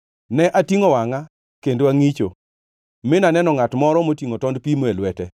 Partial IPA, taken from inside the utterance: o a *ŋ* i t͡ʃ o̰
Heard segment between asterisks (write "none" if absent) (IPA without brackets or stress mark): ŋ